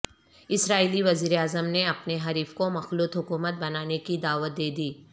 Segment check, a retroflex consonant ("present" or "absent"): absent